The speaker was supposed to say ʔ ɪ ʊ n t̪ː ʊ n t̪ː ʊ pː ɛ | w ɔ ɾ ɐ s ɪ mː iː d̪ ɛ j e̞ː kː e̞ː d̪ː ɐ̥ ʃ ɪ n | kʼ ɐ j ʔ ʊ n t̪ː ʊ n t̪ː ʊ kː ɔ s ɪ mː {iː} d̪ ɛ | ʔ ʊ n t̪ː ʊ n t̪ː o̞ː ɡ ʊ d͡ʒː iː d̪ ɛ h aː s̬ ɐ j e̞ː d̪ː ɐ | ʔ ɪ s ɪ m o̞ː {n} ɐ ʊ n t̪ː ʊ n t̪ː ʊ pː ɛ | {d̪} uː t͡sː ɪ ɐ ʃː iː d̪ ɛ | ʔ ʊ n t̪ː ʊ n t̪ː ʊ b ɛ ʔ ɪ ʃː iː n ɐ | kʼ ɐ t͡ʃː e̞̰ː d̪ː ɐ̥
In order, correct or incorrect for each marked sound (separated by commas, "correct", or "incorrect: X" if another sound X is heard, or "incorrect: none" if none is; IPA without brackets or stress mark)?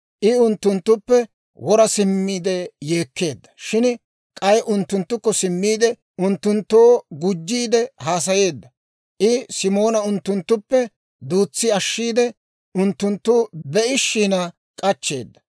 correct, correct, correct